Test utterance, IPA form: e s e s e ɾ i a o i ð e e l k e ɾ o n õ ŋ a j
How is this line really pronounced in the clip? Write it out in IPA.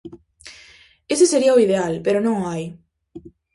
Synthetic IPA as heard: e s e s e ɾ i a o i ð e a l p e ɾ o n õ ŋ a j